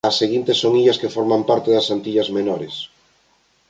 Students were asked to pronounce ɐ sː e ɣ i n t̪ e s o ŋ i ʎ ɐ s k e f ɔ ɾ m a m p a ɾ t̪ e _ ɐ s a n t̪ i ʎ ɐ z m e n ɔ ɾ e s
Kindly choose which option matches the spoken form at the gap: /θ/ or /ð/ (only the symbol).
ð